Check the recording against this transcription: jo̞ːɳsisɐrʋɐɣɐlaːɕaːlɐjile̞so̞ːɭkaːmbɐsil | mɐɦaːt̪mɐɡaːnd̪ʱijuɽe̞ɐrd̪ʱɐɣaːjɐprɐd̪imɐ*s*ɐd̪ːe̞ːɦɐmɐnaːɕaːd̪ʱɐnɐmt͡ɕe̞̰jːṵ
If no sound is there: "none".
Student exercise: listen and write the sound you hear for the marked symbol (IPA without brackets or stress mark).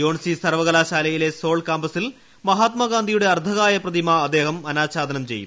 none